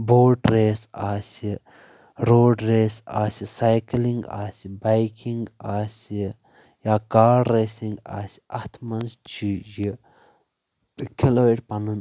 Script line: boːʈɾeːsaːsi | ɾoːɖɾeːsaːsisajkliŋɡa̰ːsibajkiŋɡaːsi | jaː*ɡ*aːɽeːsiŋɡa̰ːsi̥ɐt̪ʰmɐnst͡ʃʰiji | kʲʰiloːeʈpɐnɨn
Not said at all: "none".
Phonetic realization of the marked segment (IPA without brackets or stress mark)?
k